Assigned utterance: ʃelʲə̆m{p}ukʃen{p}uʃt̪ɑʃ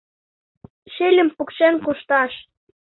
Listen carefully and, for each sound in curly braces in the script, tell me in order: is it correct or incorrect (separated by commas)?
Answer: correct, incorrect